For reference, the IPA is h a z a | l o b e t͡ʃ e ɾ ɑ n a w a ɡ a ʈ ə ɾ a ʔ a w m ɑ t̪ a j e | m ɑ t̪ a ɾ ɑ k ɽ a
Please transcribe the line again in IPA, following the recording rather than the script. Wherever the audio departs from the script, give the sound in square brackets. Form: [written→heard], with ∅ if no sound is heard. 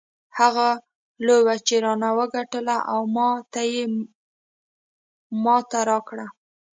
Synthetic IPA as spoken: h a [z→ɣ] a | l o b [e→a] t͡ʃ e ɾ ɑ n a w [a→ə] ɡ a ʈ ə [ɾ→l] a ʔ a w m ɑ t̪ a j e | m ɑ t̪ a ɾ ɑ k ɽ a